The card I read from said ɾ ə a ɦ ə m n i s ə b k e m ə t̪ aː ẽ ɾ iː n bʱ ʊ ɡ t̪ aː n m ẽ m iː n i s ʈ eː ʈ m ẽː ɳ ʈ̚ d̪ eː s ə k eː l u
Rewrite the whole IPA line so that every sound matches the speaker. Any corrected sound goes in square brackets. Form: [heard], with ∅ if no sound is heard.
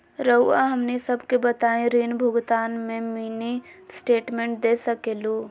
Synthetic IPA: ɾ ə a ɦ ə m n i s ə b k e [b] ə t̪ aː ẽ ɾ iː n bʱ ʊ ɡ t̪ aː n m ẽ m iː n i s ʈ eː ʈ m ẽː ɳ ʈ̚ d̪ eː s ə k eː l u